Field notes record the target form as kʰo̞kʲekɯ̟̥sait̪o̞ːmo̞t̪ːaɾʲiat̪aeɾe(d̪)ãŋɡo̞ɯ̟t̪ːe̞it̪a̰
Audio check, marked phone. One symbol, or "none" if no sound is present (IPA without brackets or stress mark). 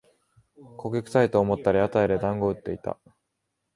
d̪